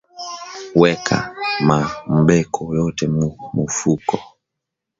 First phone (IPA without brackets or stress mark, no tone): w